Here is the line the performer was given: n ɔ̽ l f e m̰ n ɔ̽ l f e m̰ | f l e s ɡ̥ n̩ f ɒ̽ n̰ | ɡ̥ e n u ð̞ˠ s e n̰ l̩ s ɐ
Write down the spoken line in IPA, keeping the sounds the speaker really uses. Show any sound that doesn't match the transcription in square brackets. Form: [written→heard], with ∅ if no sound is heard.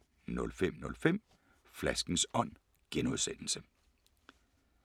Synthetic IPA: n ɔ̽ l f e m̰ n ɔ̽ l f e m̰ | f l [e→æ] s ɡ̥ n̩ [f→s] ɒ̽ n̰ | ɡ̥ e n u ð̞ˠ s e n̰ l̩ s [ɐ→ə]